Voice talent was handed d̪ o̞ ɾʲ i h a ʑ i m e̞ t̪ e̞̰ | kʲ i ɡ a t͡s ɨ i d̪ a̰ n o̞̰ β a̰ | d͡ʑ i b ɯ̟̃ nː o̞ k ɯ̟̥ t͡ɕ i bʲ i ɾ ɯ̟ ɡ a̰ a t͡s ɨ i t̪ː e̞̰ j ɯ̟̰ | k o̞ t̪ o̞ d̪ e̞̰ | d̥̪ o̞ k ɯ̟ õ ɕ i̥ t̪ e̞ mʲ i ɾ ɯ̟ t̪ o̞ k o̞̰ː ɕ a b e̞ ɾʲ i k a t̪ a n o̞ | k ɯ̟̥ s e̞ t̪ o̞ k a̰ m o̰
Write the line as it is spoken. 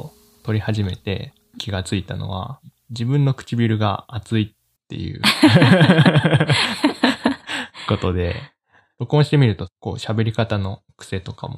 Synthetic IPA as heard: t̪ o̞ ɾʲ i h a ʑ i m e̞ t̪ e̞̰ | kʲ i ɡ a t͡s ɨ i t̪ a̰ n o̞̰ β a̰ | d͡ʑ i b ɯ̟̃ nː o̞ k ɯ̟̥ t͡ɕ i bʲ i ɾ ɯ̟ ɡ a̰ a t͡s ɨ i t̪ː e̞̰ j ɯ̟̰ | k o̞ t̪ o̞ d̪ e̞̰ | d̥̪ o̞ k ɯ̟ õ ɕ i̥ t̪ e̞ mʲ i ɾ ɯ̟ t̪ o̞ k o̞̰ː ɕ a b e̞ ɾʲ i k a t̪ a n o̞ | k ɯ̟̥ s e̞ t̪ o̞ k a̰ m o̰